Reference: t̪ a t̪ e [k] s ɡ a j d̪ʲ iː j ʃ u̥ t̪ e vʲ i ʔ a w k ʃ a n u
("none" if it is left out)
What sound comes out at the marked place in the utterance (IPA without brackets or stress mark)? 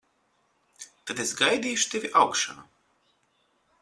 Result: none